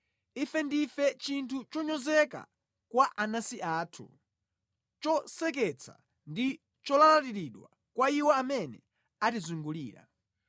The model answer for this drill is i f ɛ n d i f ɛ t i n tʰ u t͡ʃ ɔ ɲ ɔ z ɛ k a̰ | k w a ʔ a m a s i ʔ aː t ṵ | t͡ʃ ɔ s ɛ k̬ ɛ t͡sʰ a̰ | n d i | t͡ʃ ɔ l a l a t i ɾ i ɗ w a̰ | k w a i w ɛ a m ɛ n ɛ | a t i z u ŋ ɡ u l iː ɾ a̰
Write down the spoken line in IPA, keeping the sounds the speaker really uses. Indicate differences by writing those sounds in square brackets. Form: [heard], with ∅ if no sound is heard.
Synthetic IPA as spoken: i f ɛ n d i f ɛ [t͡ʃ] i n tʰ u t͡ʃ ɔ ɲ ɔ z ɛ k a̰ | k w a ʔ a [n] a s i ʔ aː [tʰ] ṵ | t͡ʃ ɔ s ɛ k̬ ɛ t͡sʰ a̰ | n d i | t͡ʃ ɔ l a l a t i ɾ i ɗ w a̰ | k w a i w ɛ a m ɛ n ɛ | a t i z u ŋ ɡ u l iː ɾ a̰